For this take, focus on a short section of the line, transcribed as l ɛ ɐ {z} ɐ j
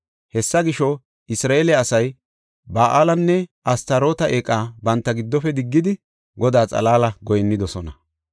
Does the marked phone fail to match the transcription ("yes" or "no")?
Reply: yes